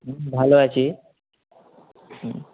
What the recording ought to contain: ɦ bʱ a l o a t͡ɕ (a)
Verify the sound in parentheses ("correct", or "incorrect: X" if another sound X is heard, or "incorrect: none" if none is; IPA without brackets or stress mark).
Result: incorrect: i